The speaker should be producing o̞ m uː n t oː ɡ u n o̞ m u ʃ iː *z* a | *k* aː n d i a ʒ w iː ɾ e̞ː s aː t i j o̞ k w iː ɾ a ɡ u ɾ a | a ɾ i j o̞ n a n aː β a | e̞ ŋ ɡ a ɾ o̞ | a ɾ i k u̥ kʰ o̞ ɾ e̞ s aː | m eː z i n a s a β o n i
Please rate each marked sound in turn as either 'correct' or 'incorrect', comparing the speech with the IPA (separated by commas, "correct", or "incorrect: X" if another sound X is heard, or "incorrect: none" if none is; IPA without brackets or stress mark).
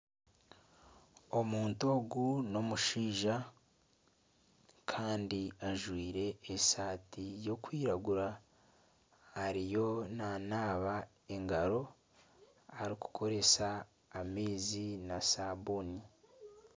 incorrect: ʒ, incorrect: kʰ